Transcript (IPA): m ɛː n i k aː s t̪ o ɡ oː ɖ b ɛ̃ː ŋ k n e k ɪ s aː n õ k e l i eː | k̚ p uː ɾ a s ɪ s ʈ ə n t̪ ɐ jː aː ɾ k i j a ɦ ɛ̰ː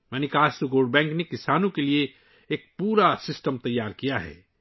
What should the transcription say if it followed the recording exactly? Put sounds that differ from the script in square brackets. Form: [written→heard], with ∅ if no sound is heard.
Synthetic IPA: m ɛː n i k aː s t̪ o ɡ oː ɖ b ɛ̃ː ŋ k n e k ɪ s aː n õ k e l i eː | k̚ p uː ɾ a s ɪ s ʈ ə [n→m] t̪ ɐ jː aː ɾ k i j a ɦ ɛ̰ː